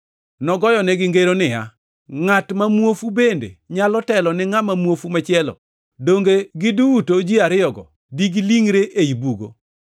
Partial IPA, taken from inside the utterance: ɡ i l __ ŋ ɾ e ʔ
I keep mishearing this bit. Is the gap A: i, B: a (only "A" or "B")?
A